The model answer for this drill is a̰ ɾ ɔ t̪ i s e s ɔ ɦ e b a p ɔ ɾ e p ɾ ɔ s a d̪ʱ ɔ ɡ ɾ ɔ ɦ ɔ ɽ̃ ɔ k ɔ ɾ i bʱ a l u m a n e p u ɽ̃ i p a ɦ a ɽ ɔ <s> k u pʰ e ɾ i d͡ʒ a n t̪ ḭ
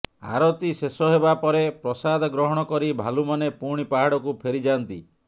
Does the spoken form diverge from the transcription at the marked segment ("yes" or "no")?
yes